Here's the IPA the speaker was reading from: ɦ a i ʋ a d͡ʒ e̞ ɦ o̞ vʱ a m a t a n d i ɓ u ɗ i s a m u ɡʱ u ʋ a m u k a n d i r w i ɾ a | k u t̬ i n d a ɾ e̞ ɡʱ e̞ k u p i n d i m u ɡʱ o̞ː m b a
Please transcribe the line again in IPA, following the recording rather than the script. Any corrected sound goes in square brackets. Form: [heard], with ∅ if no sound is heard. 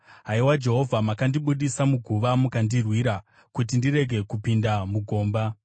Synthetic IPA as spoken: ɦ a i [w] a d͡ʒ e̞ ɦ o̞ vʱ a m a [k] a n d i ɓ u ɗ i s a m u ɡʱ u ʋ a m u k a n d i r w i ɾ a | k u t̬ i n d [i] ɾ e̞ ɡʱ e̞ k u p i n d [a] m u ɡʱ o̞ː m b a